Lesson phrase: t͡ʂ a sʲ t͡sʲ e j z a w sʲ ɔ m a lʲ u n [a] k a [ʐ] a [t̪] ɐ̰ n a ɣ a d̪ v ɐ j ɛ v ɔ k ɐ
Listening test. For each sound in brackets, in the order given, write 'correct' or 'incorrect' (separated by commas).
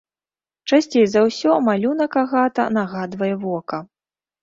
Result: incorrect, incorrect, correct